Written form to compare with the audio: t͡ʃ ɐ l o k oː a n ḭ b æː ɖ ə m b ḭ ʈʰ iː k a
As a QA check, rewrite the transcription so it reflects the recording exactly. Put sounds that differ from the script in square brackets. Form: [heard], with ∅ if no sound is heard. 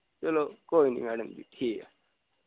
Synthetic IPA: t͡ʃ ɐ l o k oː [i] n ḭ [m] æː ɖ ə m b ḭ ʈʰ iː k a

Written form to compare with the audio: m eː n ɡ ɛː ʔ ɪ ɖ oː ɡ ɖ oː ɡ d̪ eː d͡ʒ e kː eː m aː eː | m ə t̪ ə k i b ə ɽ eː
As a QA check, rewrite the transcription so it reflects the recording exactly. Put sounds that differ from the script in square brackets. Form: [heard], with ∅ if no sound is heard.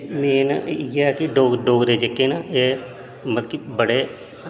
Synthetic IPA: m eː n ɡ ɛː [k] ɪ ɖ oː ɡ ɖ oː ɡ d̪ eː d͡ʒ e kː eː [n] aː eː | m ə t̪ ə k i b ə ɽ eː

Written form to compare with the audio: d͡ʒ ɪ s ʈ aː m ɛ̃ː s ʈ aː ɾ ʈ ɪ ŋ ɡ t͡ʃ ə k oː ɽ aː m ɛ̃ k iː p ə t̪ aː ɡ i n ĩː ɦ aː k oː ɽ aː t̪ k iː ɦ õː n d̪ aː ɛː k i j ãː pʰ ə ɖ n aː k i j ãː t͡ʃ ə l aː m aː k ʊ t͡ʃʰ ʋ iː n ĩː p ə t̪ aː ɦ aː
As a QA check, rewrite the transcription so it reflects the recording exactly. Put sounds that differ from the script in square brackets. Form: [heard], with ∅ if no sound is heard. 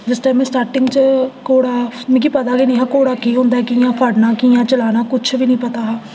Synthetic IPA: d͡ʒ ɪ s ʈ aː m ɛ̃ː s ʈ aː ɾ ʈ ɪ ŋ ɡ t͡ʃ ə k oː ɽ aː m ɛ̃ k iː p ə t̪ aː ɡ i n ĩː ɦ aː k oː ɽ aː [∅] k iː ɦ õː n d̪ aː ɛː k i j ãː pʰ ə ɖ n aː k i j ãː t͡ʃ ə l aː [n] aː k ʊ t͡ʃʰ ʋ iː n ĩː p ə t̪ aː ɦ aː

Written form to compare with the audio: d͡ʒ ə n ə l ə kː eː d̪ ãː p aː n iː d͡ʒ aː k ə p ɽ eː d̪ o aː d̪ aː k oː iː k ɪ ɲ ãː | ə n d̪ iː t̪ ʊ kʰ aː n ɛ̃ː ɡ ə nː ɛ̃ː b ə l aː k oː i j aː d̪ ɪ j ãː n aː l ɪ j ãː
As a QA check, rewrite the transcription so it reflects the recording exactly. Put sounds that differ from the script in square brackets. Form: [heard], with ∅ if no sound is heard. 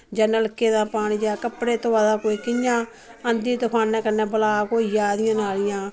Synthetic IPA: d͡ʒ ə n ə l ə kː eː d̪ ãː p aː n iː d͡ʒ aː k ə p ɽ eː [t̪] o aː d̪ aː k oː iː k ɪ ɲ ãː | ə n d̪ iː t̪ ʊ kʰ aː n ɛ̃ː [k] ə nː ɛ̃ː b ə l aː k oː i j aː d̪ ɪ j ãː n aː l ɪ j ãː

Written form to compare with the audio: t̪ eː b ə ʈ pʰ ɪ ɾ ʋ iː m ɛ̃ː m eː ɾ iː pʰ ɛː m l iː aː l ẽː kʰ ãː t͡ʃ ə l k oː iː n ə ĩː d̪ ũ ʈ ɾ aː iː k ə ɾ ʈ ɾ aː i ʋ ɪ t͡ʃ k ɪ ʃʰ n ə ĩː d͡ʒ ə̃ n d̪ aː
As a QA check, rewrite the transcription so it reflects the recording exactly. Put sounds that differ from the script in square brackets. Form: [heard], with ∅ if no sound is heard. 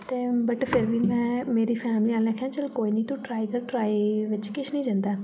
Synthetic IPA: t̪ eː b ə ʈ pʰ ɪ ɾ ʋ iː m ɛ̃ː m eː ɾ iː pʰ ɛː m l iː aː l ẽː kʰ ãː t͡ʃ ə l k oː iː n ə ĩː [t̪] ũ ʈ ɾ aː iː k ə ɾ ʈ ɾ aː i ʋ ɪ t͡ʃ k ɪ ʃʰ n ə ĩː d͡ʒ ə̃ n d̪ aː

